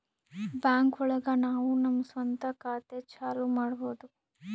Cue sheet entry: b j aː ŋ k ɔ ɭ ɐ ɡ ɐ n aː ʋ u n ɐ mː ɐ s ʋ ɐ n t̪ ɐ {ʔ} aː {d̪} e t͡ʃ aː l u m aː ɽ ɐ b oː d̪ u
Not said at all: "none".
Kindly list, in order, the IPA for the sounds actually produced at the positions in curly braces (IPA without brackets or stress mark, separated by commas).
k, t̪